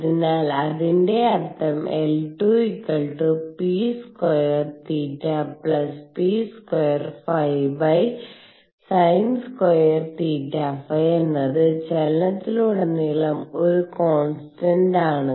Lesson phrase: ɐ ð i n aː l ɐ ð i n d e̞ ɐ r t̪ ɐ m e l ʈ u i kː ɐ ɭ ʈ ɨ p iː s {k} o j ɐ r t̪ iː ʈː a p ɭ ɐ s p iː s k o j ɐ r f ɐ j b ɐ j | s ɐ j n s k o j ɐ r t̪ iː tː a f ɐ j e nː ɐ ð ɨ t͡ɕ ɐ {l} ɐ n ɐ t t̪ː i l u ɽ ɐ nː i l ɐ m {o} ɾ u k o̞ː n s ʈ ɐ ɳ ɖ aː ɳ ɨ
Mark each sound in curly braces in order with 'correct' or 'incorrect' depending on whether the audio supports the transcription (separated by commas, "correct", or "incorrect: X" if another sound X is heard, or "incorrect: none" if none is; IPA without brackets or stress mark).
correct, correct, correct